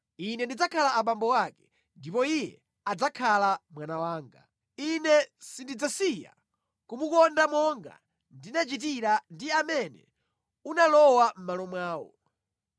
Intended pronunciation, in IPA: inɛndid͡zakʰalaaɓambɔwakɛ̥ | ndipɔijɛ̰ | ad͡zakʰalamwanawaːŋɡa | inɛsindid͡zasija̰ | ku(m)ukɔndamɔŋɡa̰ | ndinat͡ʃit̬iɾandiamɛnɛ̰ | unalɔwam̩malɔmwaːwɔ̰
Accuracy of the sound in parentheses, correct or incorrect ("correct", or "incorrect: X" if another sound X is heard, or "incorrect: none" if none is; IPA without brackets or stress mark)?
correct